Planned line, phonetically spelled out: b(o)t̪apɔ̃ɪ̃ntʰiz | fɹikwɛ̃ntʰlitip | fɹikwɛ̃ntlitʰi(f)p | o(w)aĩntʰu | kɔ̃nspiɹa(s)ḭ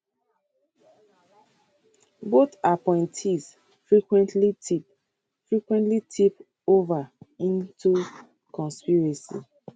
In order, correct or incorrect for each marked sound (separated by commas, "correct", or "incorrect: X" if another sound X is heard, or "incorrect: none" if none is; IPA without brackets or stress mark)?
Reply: correct, incorrect: none, incorrect: v, correct